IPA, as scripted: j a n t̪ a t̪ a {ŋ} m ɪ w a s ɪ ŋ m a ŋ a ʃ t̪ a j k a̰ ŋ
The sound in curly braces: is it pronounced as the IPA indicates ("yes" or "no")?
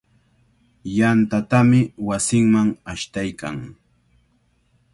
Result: no